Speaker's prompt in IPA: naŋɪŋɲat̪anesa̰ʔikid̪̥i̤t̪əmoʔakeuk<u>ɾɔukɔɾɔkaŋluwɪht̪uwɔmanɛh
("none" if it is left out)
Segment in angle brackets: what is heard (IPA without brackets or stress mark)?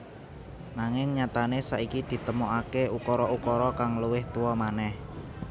ɔ